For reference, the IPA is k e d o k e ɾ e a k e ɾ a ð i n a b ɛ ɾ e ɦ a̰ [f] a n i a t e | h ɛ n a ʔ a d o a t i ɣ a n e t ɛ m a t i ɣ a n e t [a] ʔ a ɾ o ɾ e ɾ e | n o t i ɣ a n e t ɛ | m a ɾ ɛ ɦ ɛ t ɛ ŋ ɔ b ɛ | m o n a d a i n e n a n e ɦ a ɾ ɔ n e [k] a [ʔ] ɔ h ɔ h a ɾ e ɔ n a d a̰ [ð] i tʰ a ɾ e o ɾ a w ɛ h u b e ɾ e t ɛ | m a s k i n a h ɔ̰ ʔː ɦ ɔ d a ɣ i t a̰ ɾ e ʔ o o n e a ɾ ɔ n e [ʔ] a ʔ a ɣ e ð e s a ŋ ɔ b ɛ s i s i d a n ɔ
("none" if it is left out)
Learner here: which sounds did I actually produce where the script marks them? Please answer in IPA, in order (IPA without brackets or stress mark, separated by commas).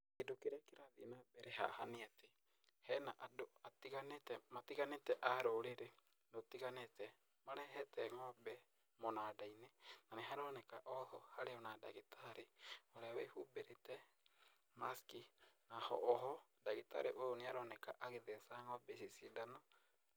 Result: h, ɛ, k, ʔ, ɣ, k